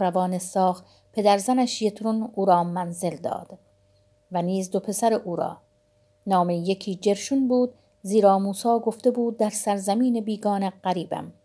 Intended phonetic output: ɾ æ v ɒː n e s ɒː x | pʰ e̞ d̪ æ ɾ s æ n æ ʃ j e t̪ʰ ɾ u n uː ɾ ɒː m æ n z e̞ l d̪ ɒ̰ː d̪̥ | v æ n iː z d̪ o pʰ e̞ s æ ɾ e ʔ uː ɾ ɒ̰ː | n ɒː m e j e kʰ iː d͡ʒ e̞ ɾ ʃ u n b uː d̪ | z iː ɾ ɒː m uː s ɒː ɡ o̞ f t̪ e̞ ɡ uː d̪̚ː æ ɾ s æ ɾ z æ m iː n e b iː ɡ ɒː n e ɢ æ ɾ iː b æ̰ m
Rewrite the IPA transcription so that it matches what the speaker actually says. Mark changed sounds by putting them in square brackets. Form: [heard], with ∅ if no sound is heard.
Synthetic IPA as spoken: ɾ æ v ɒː n e s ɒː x | pʰ e̞ d̪ æ ɾ [z] æ n æ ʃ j e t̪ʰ ɾ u n uː ɾ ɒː m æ n z e̞ l d̪ ɒ̰ː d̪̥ | v æ n iː z d̪ o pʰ e̞ s æ ɾ e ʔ uː ɾ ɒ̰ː | n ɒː m e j e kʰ iː d͡ʒ e̞ ɾ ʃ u n b uː d̪ | z iː ɾ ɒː m uː s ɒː ɡ o̞ f t̪ e̞ [b] uː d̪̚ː æ ɾ s æ ɾ z æ m iː n e b iː ɡ ɒː n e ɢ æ ɾ iː b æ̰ m